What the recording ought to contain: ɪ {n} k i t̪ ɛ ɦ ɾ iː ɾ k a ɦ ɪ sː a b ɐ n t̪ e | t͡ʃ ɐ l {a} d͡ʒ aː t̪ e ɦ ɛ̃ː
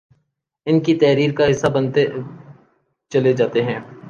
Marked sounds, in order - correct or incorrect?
correct, incorrect

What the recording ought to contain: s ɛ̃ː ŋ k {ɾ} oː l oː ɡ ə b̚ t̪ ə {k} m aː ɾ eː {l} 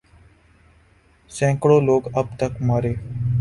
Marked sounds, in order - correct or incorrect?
incorrect, correct, incorrect

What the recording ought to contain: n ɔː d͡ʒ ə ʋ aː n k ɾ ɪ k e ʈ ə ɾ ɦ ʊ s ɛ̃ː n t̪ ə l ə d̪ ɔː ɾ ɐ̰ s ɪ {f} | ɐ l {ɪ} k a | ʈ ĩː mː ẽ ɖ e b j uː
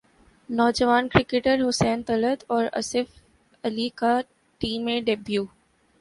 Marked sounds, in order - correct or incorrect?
correct, incorrect

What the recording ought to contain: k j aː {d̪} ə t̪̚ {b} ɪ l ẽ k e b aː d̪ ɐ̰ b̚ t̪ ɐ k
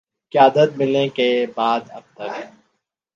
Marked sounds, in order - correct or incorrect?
correct, incorrect

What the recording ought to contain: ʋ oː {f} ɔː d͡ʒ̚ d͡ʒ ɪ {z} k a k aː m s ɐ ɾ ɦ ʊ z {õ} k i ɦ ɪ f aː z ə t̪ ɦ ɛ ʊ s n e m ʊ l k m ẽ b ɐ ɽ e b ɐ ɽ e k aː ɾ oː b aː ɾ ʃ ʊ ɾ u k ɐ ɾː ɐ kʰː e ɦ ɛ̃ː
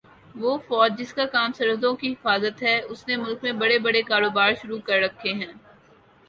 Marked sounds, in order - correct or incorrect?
correct, incorrect, correct

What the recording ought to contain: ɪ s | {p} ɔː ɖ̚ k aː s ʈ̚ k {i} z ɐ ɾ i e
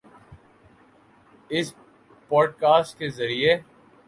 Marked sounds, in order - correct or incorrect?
correct, incorrect

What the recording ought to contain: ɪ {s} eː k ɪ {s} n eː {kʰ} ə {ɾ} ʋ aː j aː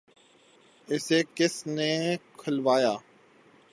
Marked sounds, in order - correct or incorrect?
correct, correct, correct, incorrect

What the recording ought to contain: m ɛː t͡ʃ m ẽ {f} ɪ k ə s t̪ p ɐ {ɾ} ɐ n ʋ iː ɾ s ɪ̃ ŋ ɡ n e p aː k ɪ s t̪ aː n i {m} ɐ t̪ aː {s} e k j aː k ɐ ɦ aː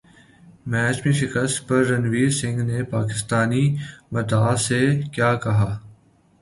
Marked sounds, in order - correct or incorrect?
incorrect, incorrect, correct, correct

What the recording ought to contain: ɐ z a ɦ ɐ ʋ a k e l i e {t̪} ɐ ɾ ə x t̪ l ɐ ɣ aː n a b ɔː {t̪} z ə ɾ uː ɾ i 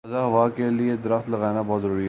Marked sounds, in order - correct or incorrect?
incorrect, correct

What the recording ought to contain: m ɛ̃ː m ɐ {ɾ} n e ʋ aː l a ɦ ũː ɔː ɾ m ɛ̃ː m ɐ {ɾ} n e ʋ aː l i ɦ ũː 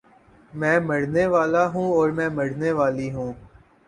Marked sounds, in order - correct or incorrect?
incorrect, incorrect

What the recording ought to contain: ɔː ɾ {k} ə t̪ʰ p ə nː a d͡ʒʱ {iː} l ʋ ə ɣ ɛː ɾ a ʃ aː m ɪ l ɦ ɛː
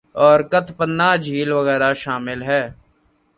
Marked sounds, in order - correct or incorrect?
correct, correct

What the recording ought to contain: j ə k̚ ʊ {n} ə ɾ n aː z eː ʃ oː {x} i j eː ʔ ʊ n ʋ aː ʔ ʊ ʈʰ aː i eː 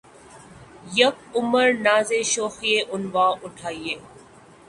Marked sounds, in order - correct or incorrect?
incorrect, correct

